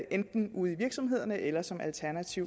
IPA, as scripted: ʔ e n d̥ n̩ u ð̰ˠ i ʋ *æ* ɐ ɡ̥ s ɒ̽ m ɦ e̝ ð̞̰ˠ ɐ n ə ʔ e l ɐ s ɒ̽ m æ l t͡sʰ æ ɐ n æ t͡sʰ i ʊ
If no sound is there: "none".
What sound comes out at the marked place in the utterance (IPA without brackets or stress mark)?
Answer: i